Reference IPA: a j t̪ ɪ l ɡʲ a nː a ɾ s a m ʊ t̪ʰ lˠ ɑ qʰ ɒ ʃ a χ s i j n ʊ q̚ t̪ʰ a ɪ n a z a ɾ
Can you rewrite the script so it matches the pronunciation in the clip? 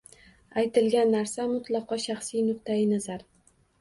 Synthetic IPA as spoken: a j t̪ ɪ l ɡʲ a nː a ɾ s a m ʊ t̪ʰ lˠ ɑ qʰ ɒ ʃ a χ s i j n ʊ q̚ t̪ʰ a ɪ n a z a ɾ